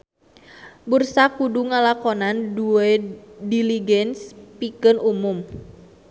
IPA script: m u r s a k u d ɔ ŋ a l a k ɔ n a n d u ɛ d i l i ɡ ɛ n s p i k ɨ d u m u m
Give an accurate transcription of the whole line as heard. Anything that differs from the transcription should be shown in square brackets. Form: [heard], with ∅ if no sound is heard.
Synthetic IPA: [b] u r s a k u d [u] ŋ a l a k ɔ n a n d u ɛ d i l i ɡ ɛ n s p i k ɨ [n] u m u m